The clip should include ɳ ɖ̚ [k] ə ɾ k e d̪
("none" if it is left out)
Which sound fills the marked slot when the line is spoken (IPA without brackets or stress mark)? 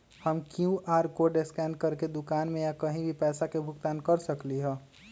k